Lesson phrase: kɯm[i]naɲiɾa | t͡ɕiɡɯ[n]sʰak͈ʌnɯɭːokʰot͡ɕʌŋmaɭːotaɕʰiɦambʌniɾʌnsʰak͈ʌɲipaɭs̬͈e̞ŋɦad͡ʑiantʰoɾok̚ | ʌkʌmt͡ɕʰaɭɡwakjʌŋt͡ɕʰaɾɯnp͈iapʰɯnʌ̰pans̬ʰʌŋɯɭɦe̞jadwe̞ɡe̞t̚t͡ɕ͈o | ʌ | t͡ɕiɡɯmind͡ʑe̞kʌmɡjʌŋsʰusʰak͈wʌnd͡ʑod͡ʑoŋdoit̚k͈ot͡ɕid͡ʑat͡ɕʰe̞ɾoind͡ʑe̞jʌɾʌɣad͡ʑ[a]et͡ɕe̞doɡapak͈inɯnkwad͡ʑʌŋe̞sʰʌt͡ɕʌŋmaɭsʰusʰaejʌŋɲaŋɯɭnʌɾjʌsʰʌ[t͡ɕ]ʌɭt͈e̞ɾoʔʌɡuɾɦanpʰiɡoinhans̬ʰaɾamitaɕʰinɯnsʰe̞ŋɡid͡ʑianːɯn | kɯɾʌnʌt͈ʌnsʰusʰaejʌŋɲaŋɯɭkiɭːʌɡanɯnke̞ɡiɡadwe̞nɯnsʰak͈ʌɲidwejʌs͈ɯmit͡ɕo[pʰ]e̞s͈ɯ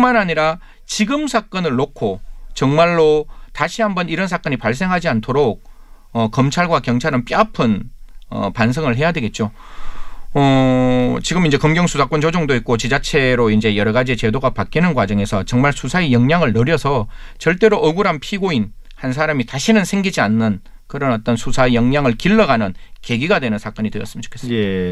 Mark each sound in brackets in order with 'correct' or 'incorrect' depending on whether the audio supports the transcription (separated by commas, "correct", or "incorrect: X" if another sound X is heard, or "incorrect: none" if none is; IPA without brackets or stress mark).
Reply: incorrect: a, incorrect: m, incorrect: i, correct, incorrect: kʰ